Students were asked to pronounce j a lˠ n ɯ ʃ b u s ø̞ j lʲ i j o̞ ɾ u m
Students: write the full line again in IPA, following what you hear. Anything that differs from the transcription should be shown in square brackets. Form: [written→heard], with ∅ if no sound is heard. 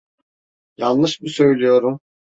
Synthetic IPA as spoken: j a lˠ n ɯ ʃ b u s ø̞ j lʲ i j o̞ ɾ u m